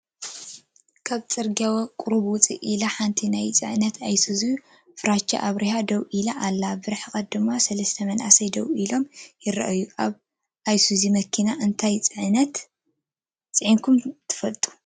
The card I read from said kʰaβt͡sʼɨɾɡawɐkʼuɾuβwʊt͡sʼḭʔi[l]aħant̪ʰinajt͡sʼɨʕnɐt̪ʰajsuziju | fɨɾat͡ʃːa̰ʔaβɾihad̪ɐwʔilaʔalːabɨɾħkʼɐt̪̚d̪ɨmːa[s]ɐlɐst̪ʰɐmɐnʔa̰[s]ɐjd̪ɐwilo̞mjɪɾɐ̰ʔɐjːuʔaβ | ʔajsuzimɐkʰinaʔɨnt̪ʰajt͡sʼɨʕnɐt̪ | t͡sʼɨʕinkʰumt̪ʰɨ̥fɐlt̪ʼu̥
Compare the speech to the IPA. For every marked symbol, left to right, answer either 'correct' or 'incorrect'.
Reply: correct, correct, correct

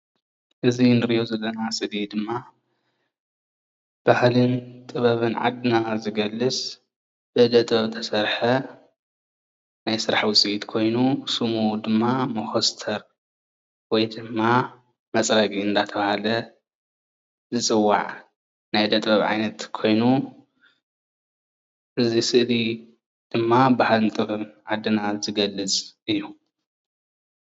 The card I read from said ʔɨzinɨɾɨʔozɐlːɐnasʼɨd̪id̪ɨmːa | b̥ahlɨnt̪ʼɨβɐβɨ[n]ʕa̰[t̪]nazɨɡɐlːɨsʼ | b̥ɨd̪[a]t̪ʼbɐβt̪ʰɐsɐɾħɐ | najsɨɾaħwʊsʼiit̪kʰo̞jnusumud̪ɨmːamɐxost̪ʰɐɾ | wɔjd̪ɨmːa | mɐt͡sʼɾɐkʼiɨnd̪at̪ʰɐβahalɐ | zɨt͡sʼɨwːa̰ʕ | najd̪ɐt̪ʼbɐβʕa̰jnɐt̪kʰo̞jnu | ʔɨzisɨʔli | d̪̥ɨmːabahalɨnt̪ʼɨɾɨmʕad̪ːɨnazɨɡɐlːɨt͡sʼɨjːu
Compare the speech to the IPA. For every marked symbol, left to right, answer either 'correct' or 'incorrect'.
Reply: correct, incorrect: d̪, incorrect: ɐ

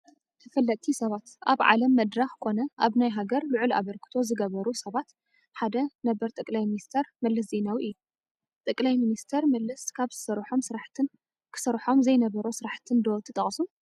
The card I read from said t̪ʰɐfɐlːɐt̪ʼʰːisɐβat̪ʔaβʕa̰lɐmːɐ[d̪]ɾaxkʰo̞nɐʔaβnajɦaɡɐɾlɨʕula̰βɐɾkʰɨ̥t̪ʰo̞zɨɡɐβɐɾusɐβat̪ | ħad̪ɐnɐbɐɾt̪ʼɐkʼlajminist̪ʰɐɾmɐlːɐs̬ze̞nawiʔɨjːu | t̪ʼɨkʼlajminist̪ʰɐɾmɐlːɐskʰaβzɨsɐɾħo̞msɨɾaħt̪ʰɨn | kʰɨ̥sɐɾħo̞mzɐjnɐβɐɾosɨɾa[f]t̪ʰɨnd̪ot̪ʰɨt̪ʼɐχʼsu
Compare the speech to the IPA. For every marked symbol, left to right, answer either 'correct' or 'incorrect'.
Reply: correct, incorrect: ħ

